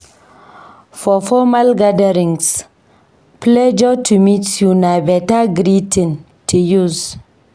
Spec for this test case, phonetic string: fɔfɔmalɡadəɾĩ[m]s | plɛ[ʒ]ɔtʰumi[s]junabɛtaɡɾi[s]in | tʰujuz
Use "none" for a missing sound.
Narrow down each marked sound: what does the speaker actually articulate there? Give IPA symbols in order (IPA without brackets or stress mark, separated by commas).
ŋ, d͡ʒ, t, t